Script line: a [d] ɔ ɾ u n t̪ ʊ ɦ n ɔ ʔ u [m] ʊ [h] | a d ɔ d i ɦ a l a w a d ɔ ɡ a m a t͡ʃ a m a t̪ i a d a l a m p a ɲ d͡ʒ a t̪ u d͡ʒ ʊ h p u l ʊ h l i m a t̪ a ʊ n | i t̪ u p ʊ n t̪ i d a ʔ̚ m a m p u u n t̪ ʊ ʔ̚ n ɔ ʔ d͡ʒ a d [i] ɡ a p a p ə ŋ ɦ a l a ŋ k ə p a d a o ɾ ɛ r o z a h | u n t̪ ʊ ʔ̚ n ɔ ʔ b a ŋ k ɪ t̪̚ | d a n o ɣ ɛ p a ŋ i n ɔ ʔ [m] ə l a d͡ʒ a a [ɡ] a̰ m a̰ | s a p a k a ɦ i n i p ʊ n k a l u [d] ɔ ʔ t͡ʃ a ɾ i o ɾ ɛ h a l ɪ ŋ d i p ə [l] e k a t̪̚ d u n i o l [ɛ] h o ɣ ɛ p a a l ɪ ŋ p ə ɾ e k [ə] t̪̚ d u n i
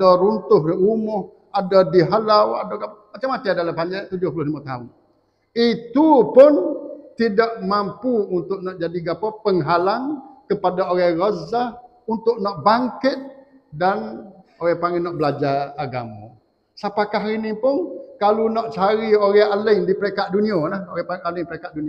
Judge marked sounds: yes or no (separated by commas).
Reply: yes, yes, yes, yes, no, yes, no, no, no, no